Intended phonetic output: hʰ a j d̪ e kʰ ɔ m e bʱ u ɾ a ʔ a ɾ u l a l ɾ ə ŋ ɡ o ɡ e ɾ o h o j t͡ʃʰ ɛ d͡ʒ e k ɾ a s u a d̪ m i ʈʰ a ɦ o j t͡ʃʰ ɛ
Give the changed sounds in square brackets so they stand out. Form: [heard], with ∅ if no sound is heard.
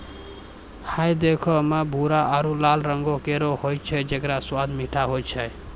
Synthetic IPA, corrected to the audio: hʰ a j d̪ e kʰ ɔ m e bʱ u ɾ a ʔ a ɾ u l a l ɾ ə ŋ ɡ o [k] e ɾ o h o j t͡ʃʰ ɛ d͡ʒ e k ɾ a s [w] a d̪ m i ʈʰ a ɦ o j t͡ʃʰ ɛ